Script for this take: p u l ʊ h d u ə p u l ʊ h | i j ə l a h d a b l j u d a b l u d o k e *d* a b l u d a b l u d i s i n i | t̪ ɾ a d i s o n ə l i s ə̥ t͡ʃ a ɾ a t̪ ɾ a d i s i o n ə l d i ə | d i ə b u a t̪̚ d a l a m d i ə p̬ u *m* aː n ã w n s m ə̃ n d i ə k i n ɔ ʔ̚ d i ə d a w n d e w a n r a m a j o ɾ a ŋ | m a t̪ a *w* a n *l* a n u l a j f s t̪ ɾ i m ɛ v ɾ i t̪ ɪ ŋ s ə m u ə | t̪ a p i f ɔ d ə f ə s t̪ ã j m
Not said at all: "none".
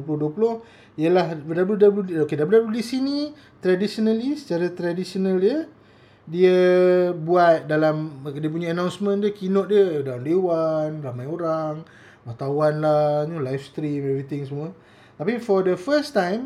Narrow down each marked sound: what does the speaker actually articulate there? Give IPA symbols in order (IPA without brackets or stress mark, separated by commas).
d, ɲ, w, l